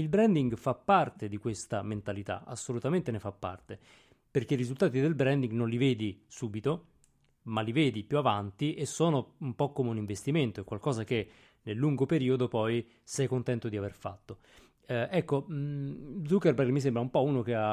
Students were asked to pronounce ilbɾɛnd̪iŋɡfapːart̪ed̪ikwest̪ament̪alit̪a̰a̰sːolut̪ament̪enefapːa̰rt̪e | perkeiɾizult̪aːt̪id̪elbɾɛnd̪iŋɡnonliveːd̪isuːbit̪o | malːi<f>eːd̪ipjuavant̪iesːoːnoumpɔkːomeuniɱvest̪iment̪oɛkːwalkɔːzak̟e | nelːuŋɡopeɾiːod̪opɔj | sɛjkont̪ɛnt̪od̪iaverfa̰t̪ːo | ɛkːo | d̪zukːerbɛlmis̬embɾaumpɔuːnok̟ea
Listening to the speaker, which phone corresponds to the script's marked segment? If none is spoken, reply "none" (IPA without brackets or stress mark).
v